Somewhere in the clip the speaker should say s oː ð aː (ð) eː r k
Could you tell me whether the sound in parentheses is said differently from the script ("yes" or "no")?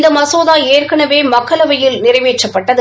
yes